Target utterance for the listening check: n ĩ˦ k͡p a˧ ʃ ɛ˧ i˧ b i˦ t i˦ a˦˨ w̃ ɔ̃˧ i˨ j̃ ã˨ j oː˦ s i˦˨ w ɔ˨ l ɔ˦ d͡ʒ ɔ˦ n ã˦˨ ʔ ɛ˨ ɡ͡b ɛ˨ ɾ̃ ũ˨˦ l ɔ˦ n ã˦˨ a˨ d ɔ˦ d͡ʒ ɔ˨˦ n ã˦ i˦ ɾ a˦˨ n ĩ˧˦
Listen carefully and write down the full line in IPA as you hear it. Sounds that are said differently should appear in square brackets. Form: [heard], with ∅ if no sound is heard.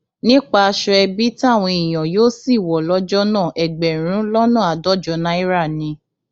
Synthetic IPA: n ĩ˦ k͡p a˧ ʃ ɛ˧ [ɛ˧] b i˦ t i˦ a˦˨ w̃ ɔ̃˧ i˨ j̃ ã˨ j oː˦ s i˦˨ w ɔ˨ l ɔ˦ d͡ʒ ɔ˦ n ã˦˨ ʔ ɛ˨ ɡ͡b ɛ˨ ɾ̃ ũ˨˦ l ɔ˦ n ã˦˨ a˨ d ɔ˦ d͡ʒ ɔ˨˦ n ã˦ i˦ ɾ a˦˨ n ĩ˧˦